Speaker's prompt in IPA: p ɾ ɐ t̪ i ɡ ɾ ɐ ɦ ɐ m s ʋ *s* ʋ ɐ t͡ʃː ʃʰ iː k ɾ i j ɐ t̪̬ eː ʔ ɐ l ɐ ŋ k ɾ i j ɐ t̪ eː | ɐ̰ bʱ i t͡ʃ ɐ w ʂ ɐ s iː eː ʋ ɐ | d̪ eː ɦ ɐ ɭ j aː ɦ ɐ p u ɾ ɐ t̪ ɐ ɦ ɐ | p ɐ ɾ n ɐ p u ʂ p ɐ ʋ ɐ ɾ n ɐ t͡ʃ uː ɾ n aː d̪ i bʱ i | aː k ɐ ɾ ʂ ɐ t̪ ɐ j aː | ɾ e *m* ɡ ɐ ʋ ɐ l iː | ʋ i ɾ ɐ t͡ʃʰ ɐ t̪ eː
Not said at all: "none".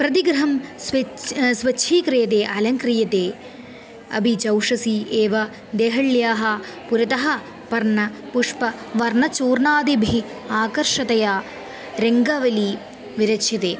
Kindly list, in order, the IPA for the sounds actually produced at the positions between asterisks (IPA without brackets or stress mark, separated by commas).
s, ŋ